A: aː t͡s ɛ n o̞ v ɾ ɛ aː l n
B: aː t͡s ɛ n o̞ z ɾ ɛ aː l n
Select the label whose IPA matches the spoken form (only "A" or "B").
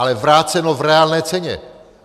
A